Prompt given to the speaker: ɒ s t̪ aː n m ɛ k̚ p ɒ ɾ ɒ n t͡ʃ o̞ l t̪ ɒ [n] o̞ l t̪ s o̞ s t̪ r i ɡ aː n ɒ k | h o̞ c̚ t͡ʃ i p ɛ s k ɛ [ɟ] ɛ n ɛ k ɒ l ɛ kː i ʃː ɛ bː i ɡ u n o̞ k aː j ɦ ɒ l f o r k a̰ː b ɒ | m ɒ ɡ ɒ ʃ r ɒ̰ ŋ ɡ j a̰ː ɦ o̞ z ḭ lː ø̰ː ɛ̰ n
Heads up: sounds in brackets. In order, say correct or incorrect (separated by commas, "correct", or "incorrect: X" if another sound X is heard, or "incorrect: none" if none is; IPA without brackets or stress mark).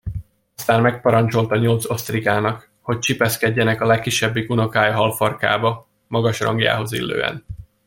incorrect: ɲ, incorrect: ɟː